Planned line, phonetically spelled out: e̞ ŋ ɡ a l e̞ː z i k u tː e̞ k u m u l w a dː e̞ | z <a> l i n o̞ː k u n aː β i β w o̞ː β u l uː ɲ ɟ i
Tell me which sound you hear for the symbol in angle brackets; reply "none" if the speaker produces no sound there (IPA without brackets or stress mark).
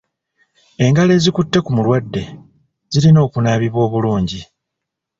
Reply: i